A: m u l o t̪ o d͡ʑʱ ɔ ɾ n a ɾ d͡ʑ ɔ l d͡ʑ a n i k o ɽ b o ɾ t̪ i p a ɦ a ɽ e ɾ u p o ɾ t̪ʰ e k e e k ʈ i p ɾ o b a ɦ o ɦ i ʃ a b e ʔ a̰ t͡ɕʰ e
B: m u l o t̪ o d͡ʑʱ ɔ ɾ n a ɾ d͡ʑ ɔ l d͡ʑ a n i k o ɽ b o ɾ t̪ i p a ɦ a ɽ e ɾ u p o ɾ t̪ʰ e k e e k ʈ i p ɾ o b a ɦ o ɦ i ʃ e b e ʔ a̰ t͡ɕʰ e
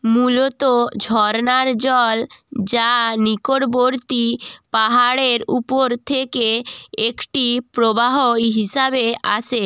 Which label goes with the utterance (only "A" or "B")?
A